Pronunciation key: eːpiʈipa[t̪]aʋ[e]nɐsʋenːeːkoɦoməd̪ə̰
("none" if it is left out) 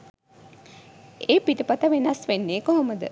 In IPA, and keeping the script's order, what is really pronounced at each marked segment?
t̪, e

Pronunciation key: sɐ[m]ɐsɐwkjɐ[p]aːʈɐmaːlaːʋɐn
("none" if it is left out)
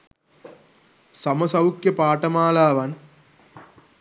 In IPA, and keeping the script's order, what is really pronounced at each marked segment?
m, p

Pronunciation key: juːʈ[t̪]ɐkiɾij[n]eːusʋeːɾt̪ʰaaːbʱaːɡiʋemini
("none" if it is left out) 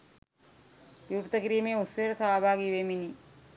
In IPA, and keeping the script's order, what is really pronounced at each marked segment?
t̪, m

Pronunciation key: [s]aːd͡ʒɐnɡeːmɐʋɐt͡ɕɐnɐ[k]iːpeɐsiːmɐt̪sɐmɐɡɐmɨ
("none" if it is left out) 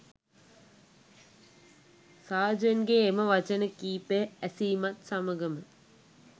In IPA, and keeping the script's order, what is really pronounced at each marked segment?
s, k

